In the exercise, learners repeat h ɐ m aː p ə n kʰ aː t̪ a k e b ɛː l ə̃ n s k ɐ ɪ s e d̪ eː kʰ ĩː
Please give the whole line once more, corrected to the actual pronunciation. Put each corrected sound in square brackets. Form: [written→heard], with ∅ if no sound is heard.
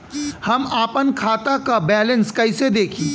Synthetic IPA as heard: h ɐ m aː p ə n kʰ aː t̪ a k [e→a] b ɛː l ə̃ n s k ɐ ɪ s e d̪ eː kʰ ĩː

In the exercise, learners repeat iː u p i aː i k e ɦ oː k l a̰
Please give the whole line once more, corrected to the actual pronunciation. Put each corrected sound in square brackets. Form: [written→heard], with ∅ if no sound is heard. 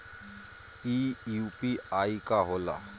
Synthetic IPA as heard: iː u p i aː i k [e→a] ɦ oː [k→∅] l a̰

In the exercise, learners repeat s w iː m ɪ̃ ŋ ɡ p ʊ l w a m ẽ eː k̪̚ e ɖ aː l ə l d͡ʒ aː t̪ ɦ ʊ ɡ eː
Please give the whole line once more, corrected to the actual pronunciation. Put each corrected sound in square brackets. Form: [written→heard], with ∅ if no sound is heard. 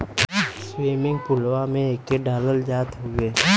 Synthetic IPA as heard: s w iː m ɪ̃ ŋ ɡ p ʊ l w a m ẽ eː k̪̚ e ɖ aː l ə l d͡ʒ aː t̪ ɦ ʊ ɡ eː

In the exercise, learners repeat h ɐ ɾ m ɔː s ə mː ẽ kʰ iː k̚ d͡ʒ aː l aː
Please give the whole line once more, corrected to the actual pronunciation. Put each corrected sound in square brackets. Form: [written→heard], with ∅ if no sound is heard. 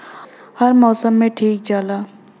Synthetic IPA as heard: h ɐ ɾ m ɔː s ə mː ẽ [kʰ→ʈʰ] iː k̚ d͡ʒ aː l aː

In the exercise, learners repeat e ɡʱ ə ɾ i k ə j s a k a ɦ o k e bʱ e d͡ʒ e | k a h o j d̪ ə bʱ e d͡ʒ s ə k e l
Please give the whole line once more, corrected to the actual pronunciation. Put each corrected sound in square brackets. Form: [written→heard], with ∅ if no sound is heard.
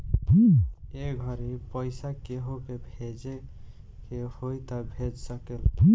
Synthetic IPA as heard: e ɡʱ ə ɾ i [k→p] ə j s a k [a→e] ɦ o k e bʱ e d͡ʒ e | k [a→e] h o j [d̪→t̪] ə bʱ e d͡ʒ s ə k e l

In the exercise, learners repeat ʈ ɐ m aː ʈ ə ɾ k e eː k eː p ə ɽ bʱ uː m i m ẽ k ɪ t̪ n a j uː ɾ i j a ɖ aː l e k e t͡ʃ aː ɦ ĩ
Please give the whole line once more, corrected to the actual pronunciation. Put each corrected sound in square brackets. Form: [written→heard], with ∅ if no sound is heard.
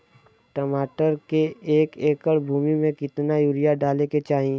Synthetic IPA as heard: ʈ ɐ m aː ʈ ə ɾ k e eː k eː [p→k] ə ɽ bʱ uː m i m ẽ k ɪ t̪ n a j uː ɾ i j a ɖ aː l e k e t͡ʃ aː ɦ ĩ

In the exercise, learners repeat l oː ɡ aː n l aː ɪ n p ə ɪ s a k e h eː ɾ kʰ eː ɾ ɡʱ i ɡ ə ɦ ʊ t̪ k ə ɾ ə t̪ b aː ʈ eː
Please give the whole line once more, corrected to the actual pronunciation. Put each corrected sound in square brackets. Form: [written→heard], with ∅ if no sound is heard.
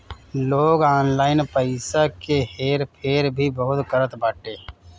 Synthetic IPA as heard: l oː ɡ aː n l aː ɪ n p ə ɪ s a k e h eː ɾ [kʰ→pʰ] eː ɾ [ɡʱ→bʱ] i [ɡ→b] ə ɦ ʊ t̪ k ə ɾ ə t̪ b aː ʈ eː

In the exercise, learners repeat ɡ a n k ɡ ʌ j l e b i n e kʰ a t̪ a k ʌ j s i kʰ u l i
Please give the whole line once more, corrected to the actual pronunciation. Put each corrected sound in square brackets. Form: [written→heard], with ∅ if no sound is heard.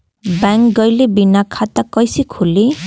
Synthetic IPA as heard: [ɡ→b] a [n→ŋ] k ɡ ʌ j l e b i n [e→a] kʰ a t̪ a k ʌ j s i kʰ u l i

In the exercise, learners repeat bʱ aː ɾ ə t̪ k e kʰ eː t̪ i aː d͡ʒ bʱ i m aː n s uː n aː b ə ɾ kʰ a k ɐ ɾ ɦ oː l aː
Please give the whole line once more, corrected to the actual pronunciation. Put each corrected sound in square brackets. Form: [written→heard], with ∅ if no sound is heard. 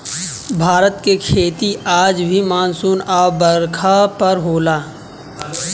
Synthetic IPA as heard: bʱ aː ɾ ə t̪ k e kʰ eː t̪ i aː d͡ʒ bʱ i m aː n s uː n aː b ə ɾ kʰ a [k→p] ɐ ɾ ɦ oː l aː

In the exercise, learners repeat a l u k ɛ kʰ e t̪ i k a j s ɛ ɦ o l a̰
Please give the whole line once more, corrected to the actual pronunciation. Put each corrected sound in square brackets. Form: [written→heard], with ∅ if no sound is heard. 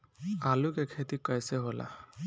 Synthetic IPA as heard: a l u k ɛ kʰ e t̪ i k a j s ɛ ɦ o l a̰

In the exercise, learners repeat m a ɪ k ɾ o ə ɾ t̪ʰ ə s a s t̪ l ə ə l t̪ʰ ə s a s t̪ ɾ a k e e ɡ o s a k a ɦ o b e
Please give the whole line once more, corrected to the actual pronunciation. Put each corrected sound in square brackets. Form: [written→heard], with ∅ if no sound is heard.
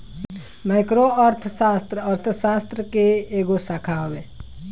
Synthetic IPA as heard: m a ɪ k ɾ o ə ɾ t̪ʰ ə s a s t̪ [l→ɾ] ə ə [l→ɾ] t̪ʰ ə s a s t̪ ɾ [a→ə] k e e ɡ o s a [k→kʰ] a ɦ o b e

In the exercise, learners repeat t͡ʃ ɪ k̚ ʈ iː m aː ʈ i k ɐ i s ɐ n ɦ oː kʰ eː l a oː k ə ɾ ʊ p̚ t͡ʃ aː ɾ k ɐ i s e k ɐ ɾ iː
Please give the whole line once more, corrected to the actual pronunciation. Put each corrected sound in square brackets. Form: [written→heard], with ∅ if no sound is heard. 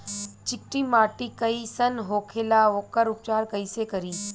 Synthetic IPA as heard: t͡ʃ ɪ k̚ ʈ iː m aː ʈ i k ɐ i s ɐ n ɦ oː kʰ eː l a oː k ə ɾ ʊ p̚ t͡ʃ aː ɾ k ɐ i s e k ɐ ɾ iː

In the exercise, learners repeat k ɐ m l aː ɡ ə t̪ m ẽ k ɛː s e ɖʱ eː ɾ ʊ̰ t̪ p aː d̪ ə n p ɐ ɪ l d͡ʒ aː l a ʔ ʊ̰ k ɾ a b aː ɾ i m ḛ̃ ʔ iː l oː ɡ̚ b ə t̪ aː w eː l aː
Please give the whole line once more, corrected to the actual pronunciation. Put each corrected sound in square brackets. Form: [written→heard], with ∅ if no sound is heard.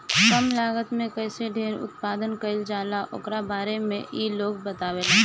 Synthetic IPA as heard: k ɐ m l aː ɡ ə t̪ m ẽ k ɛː s e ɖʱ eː ɾ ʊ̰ t̪ p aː d̪ ə n [p→k] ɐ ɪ l d͡ʒ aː l a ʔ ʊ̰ k ɾ a b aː ɾ [i→e] m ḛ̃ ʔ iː l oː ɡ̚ b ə t̪ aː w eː l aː

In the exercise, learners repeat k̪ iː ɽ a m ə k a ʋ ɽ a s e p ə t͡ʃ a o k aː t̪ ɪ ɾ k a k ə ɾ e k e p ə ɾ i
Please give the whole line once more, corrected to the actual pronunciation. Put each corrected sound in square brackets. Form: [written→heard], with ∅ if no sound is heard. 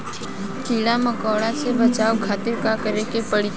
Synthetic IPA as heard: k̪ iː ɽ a m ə k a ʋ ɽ a s e [p→b] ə t͡ʃ a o [k→kʰ] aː t̪ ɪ ɾ k a k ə ɾ e k e p ə [ɾ→ɽ] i

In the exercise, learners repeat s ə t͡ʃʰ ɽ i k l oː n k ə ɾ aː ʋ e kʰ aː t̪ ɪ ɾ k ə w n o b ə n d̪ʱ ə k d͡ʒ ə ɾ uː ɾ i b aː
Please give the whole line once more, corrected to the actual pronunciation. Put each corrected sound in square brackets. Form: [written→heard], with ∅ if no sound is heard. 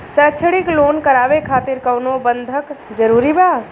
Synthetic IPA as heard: s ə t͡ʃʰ ɽ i k l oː n k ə ɾ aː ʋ e kʰ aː t̪ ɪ ɾ k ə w n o b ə n d̪ʱ ə k d͡ʒ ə ɾ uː ɾ i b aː

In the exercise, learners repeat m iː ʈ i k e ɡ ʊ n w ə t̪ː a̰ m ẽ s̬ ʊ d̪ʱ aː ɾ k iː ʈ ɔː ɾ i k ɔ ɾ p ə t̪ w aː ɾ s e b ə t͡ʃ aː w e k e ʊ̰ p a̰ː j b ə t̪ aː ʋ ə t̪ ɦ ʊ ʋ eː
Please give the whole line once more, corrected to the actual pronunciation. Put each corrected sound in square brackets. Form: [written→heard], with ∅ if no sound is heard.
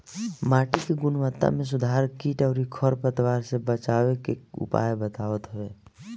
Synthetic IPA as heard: m [iː→aː] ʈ i k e ɡ ʊ n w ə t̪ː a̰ m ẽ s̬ ʊ d̪ʱ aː ɾ k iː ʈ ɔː ɾ i [k→kʰ] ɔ ɾ p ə t̪ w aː ɾ s e b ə t͡ʃ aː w e k e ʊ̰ p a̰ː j b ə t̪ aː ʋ ə t̪ ɦ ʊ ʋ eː

